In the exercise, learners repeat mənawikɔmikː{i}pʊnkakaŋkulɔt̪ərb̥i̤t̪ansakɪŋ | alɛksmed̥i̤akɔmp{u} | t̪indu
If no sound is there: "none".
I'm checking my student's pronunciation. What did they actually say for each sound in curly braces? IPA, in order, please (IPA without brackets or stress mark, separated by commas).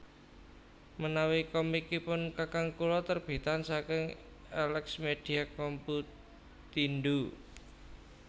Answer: i, u